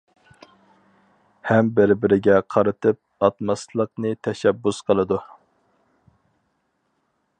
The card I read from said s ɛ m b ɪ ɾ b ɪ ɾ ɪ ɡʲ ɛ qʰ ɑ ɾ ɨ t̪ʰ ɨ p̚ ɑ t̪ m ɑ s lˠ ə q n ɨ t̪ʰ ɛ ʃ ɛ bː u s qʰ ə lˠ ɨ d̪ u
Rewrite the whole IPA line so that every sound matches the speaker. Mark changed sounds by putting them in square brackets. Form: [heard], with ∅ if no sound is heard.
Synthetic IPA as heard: [h] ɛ m b ɪ ɾ b ɪ ɾ ɪ ɡʲ ɛ qʰ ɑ ɾ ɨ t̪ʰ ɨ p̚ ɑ t̪ m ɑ s lˠ ə q n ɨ t̪ʰ ɛ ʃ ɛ bː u s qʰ ə lˠ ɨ d̪ u